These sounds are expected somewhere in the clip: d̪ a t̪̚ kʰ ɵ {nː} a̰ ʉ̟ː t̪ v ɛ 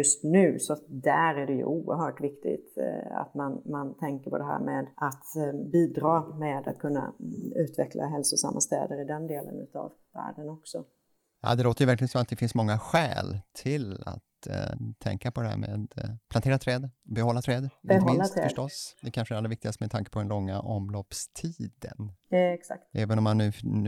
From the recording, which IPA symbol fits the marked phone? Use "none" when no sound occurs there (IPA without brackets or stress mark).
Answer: nː